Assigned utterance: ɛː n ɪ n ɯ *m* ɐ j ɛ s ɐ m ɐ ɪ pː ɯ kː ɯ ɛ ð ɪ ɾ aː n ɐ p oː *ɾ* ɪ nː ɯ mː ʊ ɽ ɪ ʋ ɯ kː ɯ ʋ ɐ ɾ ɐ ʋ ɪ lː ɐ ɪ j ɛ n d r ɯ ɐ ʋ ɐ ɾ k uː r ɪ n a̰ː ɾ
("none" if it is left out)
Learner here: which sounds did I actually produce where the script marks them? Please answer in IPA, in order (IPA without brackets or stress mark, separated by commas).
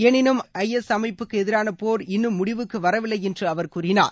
m, ɾ